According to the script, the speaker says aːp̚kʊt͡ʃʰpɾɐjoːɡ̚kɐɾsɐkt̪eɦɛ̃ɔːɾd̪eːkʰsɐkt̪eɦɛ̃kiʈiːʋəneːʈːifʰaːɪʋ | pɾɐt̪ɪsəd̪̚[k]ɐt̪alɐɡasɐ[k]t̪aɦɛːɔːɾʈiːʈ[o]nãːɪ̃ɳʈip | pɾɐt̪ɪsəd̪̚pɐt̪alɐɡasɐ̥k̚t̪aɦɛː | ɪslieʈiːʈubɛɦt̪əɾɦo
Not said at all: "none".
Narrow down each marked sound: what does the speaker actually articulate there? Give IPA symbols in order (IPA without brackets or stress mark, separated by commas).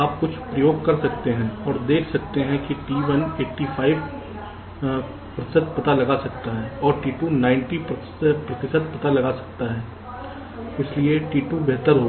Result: p, k, u